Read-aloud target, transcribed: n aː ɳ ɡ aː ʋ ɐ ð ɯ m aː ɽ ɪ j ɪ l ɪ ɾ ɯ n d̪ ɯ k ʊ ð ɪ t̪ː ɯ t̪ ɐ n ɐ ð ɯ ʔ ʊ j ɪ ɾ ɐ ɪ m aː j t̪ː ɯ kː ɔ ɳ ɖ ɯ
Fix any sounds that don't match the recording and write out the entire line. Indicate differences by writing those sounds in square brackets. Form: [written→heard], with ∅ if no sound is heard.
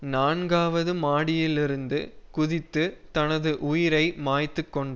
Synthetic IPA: n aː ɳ ɡ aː ʋ ɐ ð ɯ m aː ɽ ɪ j ɪ l ɪ ɾ ɯ n d̪ ɯ k ʊ ð ɪ t̪ː ɯ t̪ ɐ n ɐ ð ɯ ʔ ʊ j ɪ ɾ ɐ ɪ m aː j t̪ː ɯ kː ɔ ɳ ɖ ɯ